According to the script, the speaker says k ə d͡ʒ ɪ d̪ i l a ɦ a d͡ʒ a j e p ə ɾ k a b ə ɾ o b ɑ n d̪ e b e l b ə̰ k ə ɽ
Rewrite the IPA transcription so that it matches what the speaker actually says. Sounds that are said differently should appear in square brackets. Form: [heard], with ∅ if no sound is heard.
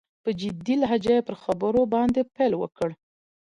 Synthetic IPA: [p] ə d͡ʒ ɪ d̪ i l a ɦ a d͡ʒ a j e p ə ɾ [x] a b ə ɾ o b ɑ n d̪ e [p] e l [w] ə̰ k ə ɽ